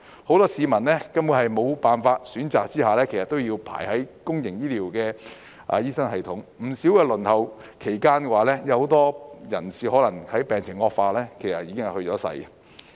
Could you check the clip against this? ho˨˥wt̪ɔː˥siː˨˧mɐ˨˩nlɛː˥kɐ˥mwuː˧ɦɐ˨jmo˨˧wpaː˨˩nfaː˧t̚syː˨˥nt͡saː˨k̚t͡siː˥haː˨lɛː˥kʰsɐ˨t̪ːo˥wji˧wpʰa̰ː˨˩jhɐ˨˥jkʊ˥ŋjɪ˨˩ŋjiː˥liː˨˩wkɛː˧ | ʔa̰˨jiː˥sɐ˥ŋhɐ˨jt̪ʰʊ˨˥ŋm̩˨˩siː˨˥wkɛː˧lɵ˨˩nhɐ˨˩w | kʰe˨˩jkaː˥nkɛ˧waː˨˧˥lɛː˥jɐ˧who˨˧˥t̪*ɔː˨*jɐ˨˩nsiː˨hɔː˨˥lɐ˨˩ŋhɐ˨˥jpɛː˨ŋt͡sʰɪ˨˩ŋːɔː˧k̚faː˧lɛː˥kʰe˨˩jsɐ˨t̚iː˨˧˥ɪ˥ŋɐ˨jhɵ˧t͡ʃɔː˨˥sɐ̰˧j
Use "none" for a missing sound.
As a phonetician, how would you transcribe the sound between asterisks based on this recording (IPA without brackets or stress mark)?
ɔː˥